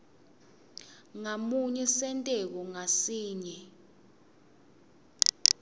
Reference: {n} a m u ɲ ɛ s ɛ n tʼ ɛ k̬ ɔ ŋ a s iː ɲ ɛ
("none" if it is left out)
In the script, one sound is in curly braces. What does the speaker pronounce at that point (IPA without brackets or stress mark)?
ŋ